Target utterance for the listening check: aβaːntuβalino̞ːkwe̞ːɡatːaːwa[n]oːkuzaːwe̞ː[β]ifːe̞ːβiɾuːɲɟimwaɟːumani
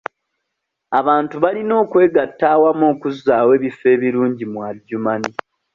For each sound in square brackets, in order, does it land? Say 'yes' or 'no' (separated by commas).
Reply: no, yes